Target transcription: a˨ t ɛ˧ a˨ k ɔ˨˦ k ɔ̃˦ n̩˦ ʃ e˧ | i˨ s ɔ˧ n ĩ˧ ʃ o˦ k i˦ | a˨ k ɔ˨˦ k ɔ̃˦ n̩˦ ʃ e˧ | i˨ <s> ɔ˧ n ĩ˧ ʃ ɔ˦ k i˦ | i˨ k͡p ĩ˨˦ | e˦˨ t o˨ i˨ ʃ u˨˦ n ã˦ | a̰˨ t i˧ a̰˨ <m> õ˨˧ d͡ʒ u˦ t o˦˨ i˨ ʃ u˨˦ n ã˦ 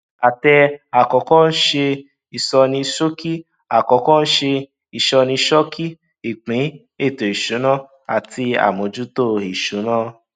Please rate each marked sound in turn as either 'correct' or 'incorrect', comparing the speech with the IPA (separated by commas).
incorrect, correct